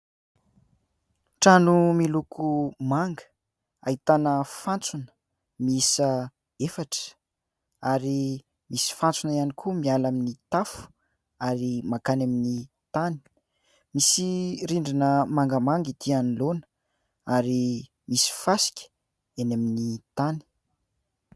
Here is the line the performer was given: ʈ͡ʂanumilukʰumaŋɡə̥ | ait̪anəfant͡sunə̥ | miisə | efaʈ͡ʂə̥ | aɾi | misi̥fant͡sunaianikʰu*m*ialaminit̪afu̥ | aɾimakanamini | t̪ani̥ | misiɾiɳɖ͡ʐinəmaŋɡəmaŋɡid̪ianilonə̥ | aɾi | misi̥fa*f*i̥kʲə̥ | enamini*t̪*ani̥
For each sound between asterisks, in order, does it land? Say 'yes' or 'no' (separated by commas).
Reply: yes, no, yes